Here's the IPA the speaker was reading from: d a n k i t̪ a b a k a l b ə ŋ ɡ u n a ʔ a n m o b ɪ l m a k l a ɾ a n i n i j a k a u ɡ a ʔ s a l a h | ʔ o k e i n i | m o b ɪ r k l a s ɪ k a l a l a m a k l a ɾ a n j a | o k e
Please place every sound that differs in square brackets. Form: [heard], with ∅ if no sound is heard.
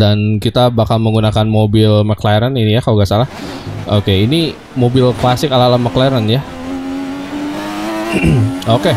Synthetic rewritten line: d a n k i t̪ a b a k a l [m] ə ŋ ɡ u n a [k] a n m o b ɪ l m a k l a ɾ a n i n i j a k a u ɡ a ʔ s a l a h | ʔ o k e i n i | m o b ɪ [l] k l a s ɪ k a l a l a m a k l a ɾ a n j a | o k e